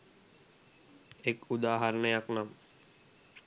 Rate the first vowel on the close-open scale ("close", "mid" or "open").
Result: mid